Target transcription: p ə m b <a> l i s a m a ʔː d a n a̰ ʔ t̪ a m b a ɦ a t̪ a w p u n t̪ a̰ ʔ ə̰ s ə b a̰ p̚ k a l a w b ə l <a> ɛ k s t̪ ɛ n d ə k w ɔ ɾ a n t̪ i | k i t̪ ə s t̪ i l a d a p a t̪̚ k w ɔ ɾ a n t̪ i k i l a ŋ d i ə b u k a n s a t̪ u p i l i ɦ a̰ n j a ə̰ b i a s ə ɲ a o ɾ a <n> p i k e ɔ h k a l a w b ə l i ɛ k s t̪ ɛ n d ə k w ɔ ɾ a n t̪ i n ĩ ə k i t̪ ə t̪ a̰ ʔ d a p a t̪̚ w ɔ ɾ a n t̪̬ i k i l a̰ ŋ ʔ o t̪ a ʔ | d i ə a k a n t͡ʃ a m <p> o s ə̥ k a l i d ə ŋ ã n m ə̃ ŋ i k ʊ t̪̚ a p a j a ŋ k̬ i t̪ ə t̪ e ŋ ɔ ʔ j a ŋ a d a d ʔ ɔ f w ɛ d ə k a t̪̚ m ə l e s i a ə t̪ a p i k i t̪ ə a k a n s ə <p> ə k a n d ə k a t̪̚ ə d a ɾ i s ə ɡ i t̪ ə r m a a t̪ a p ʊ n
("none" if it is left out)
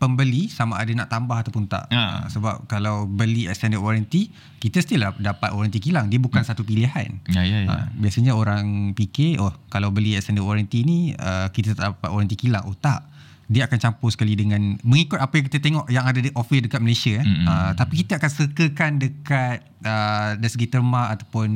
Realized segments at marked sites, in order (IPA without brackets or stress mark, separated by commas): ə, i, ŋ, p, k